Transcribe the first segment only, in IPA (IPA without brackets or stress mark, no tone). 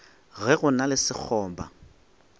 ɣ